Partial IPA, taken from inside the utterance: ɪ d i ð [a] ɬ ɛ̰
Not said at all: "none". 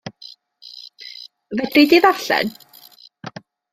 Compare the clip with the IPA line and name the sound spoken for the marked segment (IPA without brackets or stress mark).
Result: a